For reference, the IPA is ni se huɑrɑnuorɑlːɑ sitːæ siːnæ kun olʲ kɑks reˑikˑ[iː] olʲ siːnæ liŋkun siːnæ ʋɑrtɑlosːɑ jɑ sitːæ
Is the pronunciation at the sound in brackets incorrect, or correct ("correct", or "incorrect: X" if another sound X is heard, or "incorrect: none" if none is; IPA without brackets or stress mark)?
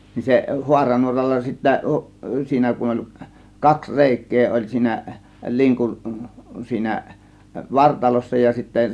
incorrect: eː